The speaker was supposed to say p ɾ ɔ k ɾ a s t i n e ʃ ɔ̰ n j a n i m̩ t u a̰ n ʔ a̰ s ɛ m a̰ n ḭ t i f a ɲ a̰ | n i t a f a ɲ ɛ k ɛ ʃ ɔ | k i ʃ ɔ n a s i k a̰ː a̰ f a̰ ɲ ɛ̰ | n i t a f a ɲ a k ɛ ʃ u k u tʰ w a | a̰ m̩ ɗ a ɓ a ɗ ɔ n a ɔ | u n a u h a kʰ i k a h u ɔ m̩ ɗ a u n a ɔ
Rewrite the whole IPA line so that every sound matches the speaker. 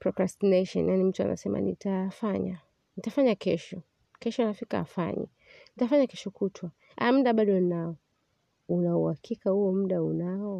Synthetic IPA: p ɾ ɔ k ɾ a s t i n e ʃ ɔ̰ n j a n i m̩ t u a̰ n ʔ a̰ s ɛ m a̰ n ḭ t a f a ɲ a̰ | n i t a f a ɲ a k ɛ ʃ ɔ | k ɛ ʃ ɔ n a f i k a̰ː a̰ f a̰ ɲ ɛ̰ | n i t a f a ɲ a k ɛ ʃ ɔ k u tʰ w a | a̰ m̩ ɗ a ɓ a ɗ ɔ n a ɔ | u n a u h a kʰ i k a h u ɔ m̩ ɗ a u n a ɔ